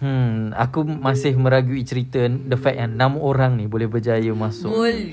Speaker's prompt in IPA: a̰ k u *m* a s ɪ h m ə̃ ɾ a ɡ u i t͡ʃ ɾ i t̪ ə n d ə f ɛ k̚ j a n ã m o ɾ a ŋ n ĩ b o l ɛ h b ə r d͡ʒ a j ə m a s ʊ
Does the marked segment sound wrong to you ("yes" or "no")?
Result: no